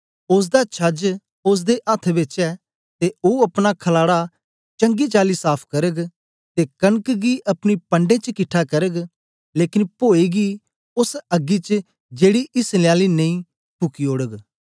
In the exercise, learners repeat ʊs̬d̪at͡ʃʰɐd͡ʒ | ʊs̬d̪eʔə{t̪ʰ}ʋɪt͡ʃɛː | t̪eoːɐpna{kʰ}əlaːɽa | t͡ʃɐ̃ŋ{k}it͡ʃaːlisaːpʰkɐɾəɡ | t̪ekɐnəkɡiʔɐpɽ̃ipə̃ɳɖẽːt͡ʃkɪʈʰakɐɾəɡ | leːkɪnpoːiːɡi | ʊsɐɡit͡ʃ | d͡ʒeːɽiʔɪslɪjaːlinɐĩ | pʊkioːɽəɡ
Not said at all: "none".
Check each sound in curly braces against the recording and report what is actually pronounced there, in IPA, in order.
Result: t̪ʰ, kʰ, ɡ

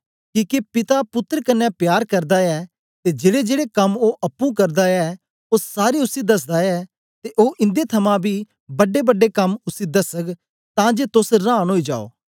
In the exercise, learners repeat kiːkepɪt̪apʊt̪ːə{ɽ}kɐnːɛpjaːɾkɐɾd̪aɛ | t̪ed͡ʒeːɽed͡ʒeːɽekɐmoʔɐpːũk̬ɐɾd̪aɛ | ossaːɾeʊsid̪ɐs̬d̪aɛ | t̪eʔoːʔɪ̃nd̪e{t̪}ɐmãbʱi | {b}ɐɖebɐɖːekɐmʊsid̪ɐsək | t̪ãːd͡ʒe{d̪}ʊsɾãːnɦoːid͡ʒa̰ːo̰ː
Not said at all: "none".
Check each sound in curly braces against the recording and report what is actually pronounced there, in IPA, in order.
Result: ɾ, t̪ʰ, b, t̪

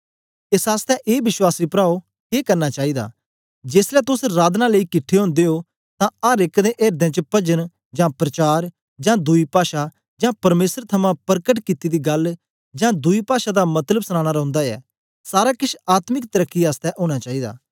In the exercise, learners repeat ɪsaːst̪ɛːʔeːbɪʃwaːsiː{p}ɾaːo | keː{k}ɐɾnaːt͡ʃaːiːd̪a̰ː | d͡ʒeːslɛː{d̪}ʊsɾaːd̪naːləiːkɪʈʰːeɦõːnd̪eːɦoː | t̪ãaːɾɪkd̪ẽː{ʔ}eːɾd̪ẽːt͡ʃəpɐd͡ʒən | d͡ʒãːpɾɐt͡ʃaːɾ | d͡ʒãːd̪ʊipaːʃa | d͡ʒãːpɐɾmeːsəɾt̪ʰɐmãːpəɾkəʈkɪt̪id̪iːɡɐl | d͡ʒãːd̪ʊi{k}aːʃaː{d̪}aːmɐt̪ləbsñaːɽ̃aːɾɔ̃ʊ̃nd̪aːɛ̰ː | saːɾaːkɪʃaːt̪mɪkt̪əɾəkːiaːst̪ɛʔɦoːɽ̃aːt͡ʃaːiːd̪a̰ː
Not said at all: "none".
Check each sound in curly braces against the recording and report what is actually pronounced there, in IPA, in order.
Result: p, k, t̪, ʔ, p, d̪

